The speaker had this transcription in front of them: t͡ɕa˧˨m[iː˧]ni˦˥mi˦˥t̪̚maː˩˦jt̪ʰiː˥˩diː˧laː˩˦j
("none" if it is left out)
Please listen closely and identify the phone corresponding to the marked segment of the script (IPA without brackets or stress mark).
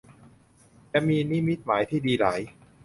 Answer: iː˧